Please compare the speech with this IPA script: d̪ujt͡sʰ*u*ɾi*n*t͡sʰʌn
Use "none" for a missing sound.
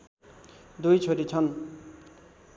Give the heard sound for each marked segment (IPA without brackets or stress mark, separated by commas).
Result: o, none